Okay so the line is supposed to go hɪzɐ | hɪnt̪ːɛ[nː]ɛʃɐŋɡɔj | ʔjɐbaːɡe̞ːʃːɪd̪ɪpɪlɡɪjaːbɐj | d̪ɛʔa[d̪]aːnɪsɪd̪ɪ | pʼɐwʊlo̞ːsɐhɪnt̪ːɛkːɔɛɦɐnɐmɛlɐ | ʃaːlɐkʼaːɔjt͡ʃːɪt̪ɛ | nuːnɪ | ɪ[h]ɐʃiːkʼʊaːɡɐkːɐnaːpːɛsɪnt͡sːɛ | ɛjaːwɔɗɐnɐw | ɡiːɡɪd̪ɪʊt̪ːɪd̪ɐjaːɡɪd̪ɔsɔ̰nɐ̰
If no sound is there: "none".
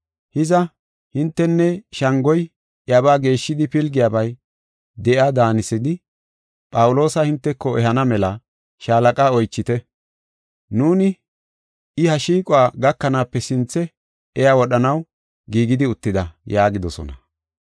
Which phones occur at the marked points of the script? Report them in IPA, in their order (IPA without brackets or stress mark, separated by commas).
nː, d̪, h